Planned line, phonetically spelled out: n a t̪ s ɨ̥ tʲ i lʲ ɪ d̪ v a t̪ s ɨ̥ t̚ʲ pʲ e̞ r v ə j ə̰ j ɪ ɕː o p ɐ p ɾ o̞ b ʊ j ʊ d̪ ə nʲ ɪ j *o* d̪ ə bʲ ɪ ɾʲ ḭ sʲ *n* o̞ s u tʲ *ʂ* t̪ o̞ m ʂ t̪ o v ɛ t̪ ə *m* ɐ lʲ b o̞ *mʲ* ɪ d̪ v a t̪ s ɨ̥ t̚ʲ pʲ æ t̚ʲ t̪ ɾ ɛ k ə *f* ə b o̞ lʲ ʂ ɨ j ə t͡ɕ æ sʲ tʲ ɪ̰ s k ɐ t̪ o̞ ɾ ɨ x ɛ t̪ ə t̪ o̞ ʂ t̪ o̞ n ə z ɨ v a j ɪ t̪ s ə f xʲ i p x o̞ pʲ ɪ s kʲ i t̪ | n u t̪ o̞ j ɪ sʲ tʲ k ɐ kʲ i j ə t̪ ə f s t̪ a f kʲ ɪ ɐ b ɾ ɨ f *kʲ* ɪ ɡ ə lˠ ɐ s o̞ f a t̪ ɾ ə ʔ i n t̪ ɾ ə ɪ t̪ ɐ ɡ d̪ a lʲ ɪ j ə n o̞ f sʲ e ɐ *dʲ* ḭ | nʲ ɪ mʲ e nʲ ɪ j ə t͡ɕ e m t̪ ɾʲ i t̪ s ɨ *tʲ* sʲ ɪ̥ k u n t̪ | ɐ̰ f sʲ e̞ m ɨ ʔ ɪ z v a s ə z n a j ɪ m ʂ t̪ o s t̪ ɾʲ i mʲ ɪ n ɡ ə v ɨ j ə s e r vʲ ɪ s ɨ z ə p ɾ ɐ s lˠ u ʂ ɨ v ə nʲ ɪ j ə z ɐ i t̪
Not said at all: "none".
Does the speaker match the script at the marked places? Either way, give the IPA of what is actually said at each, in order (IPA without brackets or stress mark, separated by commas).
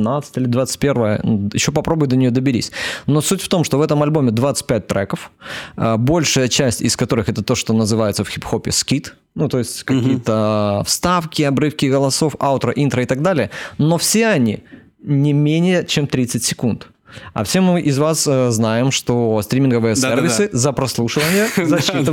o, n, f, m, mʲ, f, kʲ, nʲ, tʲ